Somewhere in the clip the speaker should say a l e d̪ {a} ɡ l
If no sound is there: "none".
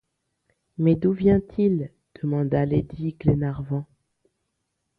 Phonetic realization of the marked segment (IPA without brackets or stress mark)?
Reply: i